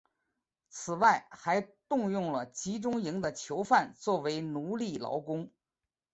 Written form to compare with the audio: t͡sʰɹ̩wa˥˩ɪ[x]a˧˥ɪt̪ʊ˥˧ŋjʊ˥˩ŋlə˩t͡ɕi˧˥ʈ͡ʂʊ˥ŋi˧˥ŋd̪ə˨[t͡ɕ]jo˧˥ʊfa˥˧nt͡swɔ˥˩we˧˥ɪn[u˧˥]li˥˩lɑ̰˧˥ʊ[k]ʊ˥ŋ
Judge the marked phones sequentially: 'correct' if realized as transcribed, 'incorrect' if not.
correct, incorrect, correct, correct

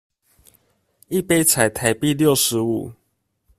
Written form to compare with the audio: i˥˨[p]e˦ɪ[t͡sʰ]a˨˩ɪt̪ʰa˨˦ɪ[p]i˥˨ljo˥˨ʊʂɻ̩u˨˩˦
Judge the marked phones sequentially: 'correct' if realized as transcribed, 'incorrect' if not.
correct, correct, correct

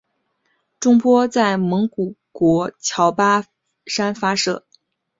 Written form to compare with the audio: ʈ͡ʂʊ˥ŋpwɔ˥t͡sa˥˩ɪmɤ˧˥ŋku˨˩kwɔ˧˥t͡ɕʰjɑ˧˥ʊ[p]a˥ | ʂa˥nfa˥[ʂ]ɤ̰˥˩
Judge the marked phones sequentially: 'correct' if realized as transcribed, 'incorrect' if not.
correct, correct

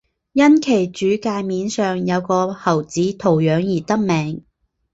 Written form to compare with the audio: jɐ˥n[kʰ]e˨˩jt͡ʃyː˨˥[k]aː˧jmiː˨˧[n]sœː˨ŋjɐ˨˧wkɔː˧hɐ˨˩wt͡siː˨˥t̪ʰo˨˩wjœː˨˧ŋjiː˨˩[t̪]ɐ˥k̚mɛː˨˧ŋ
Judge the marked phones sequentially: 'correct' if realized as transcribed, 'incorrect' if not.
correct, correct, correct, correct

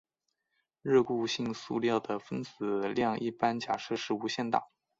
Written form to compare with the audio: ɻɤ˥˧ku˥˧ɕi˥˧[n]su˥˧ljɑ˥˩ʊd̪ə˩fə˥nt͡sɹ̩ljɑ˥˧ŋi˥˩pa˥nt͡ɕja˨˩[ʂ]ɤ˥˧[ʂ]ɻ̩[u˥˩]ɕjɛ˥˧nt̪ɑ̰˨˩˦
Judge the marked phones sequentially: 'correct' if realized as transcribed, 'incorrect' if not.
incorrect, correct, correct, incorrect

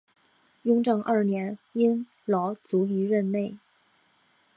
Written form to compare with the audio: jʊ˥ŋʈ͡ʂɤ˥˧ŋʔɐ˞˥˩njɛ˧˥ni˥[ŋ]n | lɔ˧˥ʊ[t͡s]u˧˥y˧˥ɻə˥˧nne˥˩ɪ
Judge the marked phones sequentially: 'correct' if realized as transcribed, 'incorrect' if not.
incorrect, correct

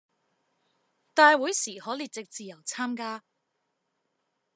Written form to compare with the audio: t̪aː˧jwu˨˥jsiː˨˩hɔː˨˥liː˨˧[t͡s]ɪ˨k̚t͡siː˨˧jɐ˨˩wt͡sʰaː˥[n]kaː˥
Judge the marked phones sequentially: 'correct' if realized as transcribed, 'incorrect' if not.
correct, incorrect

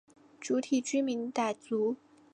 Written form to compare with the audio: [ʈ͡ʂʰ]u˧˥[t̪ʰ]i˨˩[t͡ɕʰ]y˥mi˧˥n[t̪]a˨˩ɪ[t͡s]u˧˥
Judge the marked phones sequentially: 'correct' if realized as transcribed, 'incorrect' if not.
incorrect, correct, incorrect, correct, correct

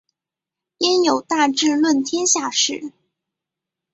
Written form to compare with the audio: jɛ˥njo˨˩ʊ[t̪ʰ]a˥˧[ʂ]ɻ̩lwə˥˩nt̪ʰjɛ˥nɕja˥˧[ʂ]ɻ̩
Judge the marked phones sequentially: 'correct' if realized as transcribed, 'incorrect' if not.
incorrect, incorrect, correct

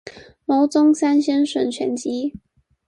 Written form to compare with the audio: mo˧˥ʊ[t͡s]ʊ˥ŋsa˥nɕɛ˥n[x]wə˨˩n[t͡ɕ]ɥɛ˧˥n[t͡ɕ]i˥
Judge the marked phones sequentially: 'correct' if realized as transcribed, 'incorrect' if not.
correct, incorrect, incorrect, correct

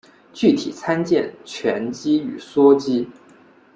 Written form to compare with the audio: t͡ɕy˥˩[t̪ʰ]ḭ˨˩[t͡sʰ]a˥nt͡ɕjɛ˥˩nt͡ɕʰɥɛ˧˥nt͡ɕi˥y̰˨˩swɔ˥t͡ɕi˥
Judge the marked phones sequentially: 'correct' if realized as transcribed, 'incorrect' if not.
correct, correct

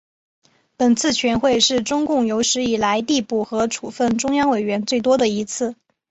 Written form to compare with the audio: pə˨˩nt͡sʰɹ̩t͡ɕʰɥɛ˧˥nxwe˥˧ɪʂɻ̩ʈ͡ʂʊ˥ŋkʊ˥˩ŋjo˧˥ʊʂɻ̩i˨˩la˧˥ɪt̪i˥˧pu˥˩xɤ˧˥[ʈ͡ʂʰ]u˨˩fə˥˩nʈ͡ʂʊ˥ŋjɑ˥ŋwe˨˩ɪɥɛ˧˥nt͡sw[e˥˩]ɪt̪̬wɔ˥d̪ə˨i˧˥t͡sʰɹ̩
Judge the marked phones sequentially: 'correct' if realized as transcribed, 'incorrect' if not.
correct, correct

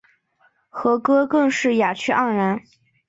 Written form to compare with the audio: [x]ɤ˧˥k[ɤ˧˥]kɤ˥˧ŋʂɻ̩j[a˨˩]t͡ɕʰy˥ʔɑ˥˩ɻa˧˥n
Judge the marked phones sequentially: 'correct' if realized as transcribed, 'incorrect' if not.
correct, incorrect, correct

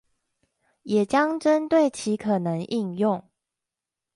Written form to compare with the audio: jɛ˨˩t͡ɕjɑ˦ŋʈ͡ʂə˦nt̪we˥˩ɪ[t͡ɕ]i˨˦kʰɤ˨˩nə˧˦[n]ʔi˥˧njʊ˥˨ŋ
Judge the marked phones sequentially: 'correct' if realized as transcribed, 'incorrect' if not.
incorrect, incorrect

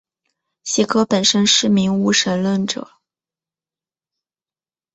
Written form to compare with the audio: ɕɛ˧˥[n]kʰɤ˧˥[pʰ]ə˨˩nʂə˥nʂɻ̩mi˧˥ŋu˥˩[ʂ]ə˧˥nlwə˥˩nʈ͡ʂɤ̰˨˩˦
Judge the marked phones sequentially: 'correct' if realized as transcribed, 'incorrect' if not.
incorrect, incorrect, correct

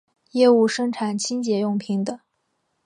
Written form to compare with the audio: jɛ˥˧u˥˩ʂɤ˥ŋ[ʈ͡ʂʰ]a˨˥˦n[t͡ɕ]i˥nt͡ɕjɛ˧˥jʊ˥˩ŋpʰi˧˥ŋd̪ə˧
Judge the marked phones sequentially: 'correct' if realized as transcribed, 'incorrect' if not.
correct, incorrect

